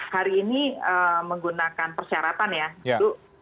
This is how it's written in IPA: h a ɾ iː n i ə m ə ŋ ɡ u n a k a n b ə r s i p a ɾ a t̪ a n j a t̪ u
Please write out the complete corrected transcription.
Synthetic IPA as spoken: h a ɾ iː n i ə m ə ŋ ɡ u n a k a n p ə r s i a ɾ a t̪ a n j a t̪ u